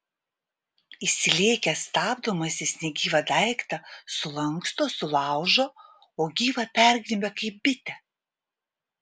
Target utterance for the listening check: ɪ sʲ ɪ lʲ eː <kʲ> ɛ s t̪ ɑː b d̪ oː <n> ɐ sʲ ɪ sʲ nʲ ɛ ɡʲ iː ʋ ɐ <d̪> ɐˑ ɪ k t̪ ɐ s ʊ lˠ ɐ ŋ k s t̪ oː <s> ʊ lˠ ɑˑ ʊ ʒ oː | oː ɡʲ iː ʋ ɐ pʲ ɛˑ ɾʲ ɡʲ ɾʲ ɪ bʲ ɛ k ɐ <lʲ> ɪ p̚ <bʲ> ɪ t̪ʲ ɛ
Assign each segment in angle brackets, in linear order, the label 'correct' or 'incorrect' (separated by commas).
correct, incorrect, correct, correct, incorrect, correct